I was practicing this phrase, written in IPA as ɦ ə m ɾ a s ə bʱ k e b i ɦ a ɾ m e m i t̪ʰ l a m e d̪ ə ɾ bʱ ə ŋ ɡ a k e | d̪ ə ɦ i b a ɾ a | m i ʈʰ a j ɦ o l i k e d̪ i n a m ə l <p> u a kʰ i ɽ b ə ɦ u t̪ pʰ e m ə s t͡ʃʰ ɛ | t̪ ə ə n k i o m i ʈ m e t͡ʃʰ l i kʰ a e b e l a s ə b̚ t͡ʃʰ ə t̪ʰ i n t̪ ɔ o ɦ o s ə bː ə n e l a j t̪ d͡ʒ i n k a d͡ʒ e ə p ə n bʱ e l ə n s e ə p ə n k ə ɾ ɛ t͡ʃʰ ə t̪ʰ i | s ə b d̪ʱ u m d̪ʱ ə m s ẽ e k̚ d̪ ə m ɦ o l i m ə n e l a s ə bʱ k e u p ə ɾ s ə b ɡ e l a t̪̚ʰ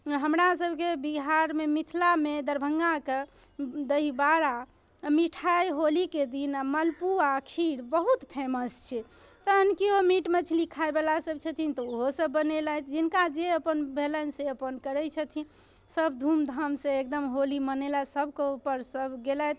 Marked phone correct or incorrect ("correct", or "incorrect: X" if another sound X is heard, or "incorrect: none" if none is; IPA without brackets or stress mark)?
correct